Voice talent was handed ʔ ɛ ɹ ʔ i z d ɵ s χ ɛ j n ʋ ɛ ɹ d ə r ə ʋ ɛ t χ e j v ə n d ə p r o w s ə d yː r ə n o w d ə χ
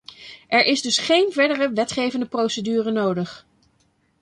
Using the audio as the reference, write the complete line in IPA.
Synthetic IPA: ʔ ɛ ɹ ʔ ɪ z d ɵ s χ e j n v ɛ ɹ d ə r ə ʋ ɛ t χ e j v ə n d ə p r o w s ə d yː r ə n o w d ə χ